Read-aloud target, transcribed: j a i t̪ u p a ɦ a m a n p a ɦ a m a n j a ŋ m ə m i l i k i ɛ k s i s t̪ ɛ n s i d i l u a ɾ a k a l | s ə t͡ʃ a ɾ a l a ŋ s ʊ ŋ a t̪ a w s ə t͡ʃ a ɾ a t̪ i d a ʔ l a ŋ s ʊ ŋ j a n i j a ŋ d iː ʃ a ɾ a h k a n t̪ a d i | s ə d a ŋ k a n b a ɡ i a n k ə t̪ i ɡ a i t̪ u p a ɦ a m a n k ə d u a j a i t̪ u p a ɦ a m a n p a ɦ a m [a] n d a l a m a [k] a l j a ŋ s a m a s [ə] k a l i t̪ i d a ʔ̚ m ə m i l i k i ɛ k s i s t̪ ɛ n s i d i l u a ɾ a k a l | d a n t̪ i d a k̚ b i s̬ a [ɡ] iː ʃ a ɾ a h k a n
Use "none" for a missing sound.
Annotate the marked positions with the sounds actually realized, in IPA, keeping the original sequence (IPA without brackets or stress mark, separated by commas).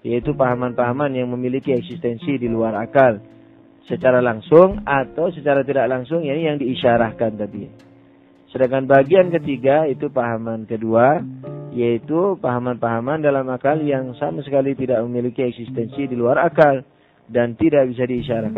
a, k, ə, d